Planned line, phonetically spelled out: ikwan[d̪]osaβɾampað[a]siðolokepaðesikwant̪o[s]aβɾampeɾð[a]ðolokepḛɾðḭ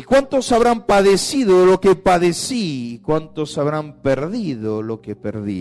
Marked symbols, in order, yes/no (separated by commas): no, no, yes, no